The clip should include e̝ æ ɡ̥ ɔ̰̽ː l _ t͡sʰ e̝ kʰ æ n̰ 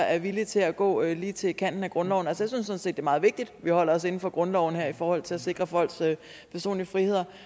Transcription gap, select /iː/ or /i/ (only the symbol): iː